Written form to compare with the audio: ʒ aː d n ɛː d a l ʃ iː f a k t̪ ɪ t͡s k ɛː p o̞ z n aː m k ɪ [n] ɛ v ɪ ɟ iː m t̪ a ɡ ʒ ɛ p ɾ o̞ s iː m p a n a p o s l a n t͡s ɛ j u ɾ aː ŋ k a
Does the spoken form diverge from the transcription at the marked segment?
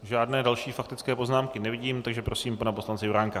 no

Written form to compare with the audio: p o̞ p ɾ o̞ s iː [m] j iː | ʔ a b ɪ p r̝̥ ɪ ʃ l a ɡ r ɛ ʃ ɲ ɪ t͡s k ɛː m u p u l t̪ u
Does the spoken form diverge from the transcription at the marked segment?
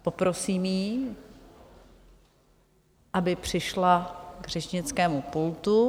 no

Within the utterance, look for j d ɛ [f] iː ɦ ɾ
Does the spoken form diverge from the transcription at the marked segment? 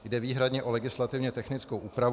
yes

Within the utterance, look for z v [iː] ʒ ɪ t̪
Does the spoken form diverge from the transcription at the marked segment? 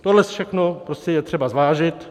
yes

